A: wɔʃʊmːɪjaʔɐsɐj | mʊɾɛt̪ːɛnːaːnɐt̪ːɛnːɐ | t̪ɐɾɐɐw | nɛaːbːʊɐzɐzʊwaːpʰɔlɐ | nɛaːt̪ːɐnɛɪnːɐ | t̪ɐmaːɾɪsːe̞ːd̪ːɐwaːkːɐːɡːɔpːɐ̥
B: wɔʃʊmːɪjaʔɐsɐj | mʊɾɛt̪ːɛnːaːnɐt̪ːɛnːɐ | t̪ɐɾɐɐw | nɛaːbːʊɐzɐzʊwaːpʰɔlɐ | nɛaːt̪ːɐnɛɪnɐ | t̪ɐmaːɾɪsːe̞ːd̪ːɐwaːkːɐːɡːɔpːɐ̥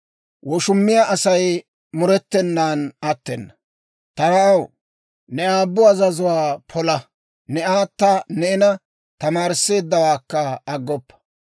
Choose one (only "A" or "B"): B